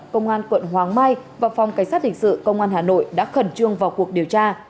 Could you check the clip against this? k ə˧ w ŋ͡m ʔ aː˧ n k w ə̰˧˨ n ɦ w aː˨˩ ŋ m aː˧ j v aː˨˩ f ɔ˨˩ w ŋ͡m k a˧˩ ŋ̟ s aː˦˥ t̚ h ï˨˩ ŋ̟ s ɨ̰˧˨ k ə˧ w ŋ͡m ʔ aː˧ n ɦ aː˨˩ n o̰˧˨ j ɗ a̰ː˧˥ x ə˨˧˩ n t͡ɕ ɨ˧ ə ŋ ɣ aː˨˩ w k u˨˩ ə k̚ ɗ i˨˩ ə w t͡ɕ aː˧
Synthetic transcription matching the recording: k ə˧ w ŋ͡m ʔ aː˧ n k w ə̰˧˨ n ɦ w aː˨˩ ŋ m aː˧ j v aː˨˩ f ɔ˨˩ w ŋ͡m k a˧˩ ŋ̟ s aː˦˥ t̚ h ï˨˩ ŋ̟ s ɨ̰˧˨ k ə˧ w ŋ͡m ʔ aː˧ n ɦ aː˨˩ n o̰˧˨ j ɗ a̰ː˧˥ x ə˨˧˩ n t͡ɕ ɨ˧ ə ŋ v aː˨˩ w k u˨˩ ə k̚ ɗ i˨˩ ə w t͡ɕ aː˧